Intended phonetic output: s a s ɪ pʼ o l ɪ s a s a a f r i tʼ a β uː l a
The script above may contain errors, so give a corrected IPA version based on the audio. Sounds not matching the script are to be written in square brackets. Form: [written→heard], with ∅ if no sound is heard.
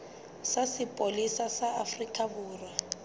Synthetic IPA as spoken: s a s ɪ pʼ o l [ɪ→i] s a s a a f r i [tʼ→kʼ] a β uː [l→r] a